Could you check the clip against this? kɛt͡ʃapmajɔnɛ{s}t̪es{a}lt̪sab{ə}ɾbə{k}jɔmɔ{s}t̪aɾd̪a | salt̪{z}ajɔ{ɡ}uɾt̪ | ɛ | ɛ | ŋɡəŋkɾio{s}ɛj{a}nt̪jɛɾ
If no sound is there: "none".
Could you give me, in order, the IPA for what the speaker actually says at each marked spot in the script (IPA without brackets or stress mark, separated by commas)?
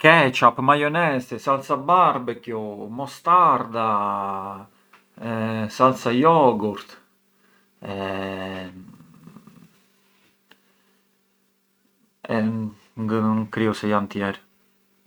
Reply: s, a, a, k, s, s, ɡ, s, a